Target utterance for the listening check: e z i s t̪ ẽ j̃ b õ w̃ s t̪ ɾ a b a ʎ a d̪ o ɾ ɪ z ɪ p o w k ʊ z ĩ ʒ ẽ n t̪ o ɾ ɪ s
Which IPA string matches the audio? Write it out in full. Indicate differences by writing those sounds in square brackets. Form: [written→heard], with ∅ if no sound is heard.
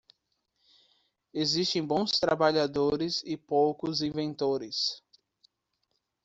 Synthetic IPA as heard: e z i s t̪ ẽ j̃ b õ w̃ s t̪ ɾ a b a ʎ a d̪ o ɾ ɪ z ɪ p o w k ʊ z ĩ [ʒ→v] ẽ n t̪ o ɾ ɪ s